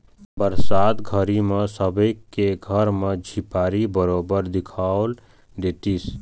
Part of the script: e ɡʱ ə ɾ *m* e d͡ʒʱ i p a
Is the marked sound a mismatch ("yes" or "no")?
no